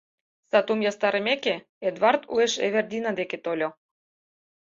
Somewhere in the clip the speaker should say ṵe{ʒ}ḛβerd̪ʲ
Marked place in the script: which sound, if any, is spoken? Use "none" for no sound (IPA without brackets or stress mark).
ʃ